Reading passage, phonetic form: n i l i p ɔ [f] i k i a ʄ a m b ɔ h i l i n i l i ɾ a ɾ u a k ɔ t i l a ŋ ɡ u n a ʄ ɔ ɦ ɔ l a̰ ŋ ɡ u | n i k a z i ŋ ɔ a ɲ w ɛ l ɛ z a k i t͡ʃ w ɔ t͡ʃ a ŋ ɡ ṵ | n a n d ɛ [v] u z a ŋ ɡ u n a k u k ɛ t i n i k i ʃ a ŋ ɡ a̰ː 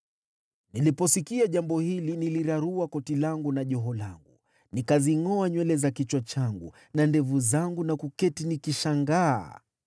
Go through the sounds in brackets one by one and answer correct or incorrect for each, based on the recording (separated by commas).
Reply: incorrect, correct